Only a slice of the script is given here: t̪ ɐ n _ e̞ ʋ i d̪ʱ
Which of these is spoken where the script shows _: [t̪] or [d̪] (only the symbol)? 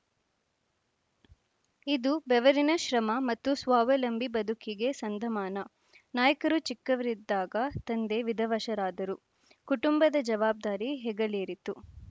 d̪